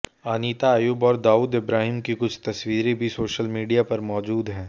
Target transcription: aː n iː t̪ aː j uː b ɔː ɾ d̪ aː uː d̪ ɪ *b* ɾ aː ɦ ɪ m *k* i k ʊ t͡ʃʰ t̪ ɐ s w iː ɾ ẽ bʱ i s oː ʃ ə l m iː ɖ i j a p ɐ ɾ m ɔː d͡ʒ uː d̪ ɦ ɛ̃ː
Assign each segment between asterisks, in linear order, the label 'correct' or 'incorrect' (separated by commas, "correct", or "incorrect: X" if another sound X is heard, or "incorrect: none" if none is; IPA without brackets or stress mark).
correct, correct